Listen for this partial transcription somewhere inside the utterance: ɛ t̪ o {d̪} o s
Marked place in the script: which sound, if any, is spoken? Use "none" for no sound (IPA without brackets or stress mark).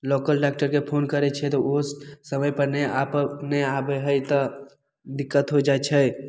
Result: none